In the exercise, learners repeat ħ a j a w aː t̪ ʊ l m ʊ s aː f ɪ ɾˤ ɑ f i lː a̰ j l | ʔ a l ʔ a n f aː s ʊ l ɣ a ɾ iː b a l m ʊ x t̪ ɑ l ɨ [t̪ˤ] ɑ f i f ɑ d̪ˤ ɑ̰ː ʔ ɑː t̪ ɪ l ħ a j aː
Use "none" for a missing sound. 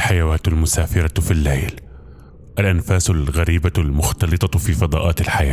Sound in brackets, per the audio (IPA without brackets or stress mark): t̪ˤ